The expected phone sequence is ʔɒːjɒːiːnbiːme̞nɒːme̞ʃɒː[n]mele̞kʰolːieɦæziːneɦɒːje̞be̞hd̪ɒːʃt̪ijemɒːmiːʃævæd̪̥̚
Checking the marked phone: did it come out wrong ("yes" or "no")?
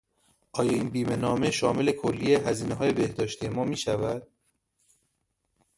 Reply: yes